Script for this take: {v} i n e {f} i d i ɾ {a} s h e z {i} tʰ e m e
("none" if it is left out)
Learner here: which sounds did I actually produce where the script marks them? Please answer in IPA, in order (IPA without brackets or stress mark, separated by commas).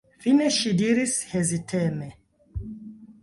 f, ʃ, i, i